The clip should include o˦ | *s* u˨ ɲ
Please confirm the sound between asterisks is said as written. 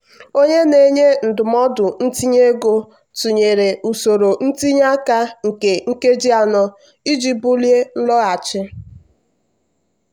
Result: no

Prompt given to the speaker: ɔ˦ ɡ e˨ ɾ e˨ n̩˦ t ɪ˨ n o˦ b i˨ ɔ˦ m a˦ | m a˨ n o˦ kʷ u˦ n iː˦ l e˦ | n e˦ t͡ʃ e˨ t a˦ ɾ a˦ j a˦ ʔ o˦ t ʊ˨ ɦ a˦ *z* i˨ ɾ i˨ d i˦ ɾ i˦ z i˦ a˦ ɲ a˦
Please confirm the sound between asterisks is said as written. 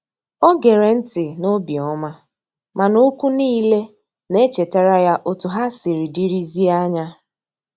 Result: no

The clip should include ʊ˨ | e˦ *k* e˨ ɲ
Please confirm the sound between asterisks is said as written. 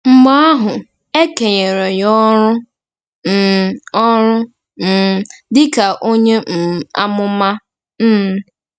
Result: yes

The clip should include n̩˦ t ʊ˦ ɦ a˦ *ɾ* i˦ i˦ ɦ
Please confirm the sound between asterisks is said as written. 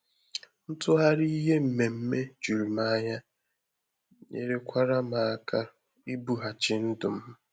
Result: yes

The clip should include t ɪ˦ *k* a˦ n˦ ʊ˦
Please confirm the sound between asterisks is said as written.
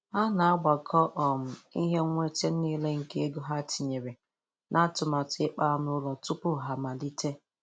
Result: no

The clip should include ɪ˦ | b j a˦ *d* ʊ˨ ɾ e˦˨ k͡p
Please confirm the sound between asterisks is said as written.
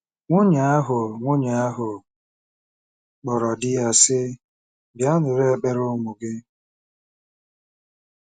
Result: no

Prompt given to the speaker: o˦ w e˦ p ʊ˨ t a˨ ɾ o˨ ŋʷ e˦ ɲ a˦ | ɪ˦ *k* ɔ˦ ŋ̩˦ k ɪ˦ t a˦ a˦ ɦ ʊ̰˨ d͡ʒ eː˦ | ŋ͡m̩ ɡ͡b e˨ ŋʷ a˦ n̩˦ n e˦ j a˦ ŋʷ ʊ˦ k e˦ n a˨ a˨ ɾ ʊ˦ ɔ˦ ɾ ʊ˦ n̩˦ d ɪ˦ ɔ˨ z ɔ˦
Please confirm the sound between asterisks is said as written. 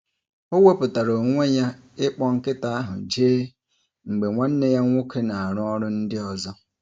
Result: no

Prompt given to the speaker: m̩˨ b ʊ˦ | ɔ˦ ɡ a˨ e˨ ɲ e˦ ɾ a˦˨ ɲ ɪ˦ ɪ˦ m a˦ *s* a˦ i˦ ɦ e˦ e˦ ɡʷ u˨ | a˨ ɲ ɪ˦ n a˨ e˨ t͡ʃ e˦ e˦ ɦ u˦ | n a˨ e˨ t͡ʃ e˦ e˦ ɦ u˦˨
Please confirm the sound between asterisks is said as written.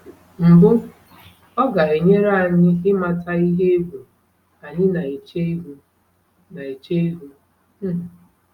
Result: no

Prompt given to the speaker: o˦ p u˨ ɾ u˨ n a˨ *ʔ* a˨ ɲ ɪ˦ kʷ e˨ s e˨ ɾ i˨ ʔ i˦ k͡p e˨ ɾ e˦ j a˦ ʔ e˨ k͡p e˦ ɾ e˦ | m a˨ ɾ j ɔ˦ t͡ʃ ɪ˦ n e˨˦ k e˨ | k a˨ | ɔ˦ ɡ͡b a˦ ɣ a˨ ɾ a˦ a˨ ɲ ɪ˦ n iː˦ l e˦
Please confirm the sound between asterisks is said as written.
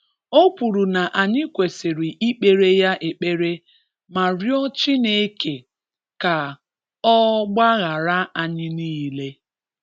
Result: yes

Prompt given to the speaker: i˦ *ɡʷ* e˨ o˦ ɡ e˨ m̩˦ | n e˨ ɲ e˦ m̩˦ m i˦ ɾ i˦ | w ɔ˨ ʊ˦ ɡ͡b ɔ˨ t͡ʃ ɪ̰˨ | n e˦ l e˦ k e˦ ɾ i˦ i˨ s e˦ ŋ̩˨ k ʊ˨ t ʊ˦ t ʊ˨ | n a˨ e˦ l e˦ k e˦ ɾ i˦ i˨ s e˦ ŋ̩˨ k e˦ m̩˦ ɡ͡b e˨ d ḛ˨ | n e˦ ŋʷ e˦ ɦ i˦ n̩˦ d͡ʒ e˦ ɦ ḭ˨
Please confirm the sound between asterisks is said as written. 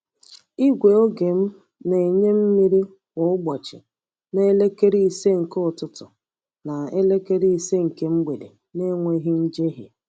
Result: yes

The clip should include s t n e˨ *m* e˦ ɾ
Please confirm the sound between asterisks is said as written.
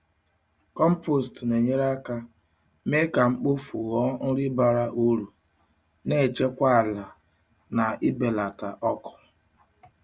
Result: no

